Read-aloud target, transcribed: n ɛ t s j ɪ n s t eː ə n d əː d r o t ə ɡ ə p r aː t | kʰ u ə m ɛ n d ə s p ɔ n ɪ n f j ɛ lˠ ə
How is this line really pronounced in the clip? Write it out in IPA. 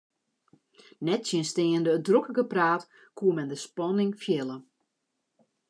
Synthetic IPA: n ɛ t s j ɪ n s t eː ə n d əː d r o k ə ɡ ə p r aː t | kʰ u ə m ɛ n d ə s p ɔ n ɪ ŋ f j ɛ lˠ ə